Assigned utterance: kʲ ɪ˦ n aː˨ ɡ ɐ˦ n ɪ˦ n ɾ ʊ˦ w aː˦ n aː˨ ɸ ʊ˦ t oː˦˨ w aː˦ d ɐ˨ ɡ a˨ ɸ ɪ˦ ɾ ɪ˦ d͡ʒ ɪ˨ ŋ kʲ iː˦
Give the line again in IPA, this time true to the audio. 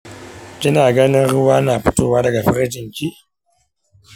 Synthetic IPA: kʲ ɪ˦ n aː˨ ɡ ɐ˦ n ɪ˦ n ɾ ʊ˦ w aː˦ n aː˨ ɸ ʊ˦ t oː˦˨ w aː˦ d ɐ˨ ɡ a˨ ɸ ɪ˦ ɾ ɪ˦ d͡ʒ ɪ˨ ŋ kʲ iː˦